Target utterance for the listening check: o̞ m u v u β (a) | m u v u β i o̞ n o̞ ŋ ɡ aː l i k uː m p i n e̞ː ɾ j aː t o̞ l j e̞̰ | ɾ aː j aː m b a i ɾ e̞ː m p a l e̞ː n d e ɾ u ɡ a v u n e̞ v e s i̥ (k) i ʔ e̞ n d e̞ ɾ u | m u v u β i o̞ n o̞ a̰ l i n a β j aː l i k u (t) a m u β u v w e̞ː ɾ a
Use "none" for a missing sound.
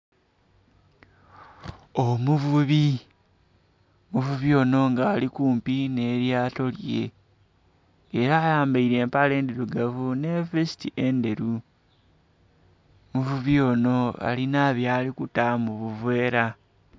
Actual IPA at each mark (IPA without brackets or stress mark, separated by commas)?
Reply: i, t, t